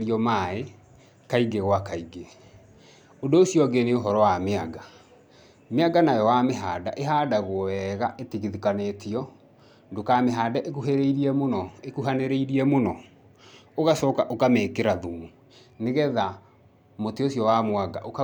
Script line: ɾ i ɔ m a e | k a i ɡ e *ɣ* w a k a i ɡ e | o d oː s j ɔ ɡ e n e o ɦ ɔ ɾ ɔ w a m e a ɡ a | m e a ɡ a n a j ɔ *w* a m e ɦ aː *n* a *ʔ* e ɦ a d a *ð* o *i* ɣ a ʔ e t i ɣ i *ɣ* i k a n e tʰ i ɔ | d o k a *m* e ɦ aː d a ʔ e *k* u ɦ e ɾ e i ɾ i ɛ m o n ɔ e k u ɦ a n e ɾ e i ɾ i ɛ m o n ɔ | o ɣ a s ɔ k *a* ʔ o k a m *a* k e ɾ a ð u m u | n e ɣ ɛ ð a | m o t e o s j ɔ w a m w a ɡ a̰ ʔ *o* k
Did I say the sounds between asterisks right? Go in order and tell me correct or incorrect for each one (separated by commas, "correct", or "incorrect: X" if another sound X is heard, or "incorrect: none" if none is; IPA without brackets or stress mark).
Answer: correct, correct, incorrect: d, correct, incorrect: ɣ, incorrect: ɛ, incorrect: ð, correct, correct, correct, incorrect: e, correct